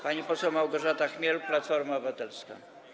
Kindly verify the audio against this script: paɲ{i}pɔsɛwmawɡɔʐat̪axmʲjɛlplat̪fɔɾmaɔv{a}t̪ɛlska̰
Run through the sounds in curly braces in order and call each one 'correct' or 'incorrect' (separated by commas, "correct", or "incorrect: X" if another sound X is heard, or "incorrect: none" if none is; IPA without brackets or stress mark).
correct, correct